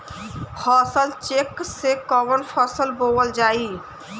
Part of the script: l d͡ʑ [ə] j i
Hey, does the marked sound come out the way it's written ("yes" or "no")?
no